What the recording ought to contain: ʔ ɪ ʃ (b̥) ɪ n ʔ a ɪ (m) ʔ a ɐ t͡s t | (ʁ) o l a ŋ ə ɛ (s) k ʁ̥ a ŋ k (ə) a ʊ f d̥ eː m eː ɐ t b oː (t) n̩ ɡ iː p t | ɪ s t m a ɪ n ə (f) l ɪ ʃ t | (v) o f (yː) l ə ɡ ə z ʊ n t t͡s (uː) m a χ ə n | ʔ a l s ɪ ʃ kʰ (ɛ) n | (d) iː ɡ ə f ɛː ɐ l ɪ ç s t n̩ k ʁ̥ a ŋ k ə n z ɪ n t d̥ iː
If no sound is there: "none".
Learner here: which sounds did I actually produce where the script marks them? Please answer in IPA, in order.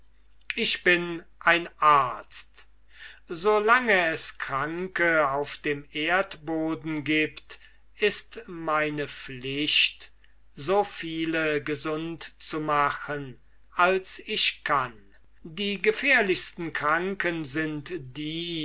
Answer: b̥, n, z, s, ə, d, f, z, iː, u, a, d

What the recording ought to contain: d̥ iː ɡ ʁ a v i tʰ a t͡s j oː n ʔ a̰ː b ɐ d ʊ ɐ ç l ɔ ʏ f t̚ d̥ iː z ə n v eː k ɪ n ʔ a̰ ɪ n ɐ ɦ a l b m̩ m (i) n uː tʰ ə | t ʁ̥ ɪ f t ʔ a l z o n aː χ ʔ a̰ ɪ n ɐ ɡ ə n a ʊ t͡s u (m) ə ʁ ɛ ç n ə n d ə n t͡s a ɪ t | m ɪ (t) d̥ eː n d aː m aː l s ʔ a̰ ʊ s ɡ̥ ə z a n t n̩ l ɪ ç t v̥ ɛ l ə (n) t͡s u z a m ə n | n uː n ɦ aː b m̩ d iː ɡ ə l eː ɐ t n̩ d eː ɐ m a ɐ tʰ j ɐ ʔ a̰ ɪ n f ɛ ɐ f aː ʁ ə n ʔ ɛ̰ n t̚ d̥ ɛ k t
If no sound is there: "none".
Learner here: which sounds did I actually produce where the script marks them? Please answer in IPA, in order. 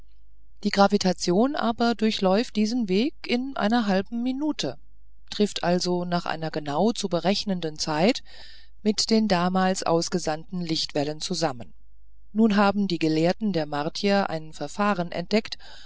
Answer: i, b, t, n

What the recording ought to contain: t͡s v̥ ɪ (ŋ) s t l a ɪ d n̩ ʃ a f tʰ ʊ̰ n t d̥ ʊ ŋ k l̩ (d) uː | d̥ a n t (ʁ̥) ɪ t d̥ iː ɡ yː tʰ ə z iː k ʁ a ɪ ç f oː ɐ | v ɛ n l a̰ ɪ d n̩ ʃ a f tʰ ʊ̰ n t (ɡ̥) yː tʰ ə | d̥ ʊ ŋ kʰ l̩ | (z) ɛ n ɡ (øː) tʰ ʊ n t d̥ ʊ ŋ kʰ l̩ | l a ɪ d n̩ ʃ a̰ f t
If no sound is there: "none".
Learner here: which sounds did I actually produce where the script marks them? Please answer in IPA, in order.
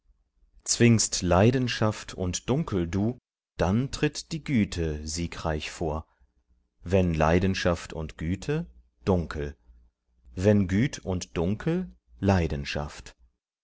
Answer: ŋ, d, ʁ̥, ɡ̥, v, yː

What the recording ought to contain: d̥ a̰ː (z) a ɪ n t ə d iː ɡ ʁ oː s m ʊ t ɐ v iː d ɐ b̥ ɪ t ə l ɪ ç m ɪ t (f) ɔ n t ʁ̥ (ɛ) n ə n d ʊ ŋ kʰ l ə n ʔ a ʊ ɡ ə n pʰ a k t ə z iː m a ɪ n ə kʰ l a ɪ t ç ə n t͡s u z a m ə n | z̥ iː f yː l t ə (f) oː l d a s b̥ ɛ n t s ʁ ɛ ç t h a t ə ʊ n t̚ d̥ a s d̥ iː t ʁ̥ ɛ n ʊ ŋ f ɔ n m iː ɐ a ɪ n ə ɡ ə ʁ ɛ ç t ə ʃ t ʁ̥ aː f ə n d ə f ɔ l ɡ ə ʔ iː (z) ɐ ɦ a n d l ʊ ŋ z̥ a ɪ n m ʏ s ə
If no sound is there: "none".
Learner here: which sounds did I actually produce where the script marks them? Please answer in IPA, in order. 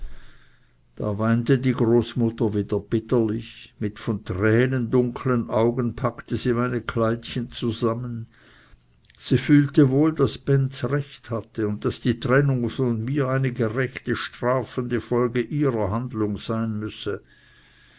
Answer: v, f, ɛː, v, ʁ

